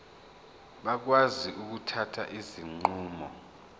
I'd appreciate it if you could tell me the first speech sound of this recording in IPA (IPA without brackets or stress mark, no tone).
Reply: ɓ